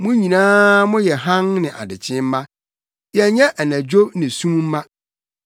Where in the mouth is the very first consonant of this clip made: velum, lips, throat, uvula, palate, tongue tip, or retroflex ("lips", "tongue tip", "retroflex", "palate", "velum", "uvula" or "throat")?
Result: lips